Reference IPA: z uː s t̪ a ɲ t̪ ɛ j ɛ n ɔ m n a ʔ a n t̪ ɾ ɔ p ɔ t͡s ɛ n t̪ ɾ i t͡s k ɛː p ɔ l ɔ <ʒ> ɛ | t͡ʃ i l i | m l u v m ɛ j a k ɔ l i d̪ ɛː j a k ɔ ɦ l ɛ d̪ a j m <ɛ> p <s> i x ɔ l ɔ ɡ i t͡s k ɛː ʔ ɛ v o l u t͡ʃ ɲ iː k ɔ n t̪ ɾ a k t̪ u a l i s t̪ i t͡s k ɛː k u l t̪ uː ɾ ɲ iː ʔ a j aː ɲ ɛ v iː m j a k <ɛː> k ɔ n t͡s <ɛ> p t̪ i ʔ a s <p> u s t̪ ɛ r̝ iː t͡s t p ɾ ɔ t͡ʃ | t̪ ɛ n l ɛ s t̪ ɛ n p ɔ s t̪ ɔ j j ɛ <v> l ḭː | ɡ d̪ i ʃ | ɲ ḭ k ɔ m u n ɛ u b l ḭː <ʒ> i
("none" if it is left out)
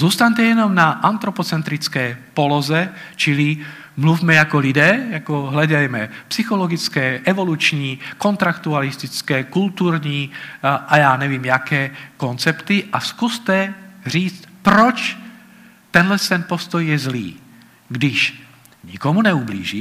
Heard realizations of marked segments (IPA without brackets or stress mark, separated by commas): z, ɛ, s, ɛː, ɛ, k, z, ʒ